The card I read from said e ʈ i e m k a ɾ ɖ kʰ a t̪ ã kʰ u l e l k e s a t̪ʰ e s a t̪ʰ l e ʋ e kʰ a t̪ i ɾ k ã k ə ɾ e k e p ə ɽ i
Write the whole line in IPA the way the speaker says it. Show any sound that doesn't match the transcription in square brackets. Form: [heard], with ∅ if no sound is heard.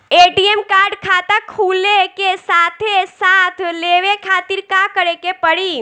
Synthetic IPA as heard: e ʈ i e m k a ɾ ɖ kʰ a t̪ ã kʰ u l e [∅] k e s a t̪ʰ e s a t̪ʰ l e ʋ e kʰ a t̪ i ɾ k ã k ə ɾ e k e p ə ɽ i